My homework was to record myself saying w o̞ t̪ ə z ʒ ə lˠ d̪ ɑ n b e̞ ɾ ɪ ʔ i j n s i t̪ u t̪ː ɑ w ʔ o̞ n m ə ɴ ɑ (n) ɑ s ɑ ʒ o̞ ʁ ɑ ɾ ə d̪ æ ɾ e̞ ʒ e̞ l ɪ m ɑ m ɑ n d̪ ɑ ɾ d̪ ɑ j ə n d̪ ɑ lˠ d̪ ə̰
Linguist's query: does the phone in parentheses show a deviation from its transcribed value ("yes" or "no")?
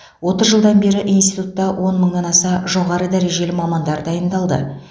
no